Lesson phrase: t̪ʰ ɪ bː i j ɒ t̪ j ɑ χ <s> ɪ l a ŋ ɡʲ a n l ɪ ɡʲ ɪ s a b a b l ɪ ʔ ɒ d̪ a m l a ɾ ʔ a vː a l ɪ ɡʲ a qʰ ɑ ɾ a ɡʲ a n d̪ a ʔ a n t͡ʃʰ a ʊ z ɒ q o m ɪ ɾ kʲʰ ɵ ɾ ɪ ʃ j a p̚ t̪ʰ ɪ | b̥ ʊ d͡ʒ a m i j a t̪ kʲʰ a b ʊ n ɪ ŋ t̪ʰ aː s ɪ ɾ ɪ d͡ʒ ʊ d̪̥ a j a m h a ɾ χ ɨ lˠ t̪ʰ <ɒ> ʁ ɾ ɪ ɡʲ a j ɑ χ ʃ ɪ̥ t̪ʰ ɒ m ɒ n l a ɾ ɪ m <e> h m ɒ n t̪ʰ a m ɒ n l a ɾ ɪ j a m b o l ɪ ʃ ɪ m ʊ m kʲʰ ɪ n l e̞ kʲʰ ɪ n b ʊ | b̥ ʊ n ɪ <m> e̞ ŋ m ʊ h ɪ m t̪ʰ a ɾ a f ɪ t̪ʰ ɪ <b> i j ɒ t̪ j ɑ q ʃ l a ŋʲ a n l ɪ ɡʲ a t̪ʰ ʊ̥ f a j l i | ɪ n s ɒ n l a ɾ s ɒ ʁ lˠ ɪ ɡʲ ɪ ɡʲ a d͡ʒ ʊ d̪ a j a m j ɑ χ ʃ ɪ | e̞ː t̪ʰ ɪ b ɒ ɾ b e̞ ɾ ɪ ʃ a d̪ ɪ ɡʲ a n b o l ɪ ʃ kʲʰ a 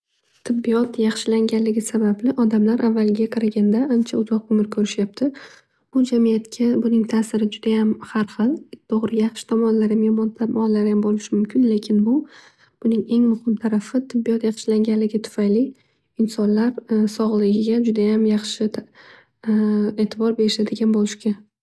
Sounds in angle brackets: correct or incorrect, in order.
incorrect: ʃ, incorrect: o, correct, incorrect: ŋ, incorrect: bː

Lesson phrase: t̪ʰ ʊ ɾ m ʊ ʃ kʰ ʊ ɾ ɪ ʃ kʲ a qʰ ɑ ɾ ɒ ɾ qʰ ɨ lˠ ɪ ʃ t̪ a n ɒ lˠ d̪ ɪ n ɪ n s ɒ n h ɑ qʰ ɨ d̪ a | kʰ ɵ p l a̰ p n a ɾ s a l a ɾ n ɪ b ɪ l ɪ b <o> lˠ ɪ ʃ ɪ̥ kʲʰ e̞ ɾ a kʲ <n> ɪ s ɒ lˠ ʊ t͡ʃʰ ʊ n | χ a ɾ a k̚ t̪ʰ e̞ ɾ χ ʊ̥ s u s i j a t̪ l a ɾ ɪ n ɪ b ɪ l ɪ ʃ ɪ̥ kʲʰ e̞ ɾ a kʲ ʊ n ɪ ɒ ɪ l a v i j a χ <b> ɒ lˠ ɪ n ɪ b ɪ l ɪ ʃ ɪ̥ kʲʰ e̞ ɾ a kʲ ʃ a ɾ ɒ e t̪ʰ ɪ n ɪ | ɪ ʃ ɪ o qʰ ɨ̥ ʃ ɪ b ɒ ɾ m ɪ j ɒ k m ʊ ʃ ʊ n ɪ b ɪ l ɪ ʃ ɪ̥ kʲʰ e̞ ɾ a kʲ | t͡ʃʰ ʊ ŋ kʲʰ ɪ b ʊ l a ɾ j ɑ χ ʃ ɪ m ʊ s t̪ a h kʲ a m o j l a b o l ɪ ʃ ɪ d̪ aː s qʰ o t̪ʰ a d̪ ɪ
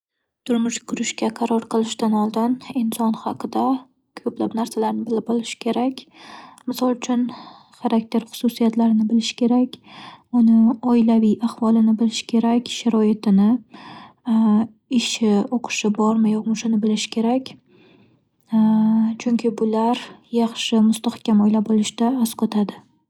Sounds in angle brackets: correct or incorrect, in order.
incorrect: ɒ, incorrect: m, incorrect: v

